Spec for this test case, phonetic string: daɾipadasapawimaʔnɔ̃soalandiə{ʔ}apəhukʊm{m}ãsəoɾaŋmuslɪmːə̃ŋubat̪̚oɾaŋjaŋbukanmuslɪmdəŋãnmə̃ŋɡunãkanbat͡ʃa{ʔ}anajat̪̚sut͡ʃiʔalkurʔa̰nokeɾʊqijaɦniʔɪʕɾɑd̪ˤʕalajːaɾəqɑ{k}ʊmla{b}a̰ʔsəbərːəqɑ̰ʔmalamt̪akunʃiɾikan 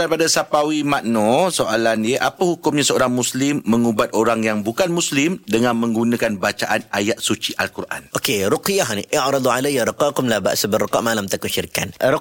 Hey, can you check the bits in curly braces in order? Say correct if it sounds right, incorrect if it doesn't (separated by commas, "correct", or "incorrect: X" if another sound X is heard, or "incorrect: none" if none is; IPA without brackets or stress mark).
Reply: correct, incorrect: ɲ, correct, correct, correct